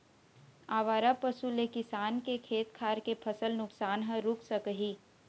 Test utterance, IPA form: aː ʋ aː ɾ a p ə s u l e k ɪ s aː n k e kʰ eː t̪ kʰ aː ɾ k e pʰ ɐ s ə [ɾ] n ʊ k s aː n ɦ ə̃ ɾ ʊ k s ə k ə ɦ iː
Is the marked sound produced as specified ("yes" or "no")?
no